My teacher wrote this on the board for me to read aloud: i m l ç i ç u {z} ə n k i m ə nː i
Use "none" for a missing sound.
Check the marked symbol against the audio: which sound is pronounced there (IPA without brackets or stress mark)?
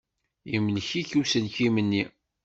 s